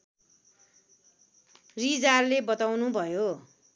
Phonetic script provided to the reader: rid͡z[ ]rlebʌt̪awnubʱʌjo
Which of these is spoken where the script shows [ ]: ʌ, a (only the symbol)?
a